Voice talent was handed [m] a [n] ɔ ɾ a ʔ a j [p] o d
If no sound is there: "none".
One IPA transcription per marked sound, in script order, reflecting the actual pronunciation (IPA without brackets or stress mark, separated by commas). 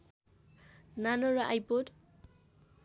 n, n, p